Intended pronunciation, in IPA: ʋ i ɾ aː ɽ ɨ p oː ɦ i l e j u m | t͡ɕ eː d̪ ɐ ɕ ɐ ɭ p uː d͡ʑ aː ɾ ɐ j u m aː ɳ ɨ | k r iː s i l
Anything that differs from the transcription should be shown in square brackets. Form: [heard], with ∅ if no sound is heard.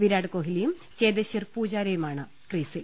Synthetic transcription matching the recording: ʋ i ɾ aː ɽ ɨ [k] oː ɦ i l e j u m | t͡ɕ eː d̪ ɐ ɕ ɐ [r] p uː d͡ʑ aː ɾ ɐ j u m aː ɳ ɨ | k r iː s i l